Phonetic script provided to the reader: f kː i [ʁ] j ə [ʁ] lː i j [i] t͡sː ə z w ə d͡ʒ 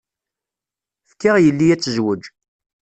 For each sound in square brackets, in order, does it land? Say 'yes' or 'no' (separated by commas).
yes, no, no